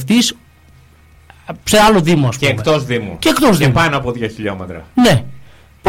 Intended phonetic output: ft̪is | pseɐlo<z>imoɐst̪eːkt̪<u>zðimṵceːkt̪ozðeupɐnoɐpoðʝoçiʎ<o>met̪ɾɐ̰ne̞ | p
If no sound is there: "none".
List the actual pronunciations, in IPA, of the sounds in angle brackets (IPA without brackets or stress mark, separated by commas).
ð, o, o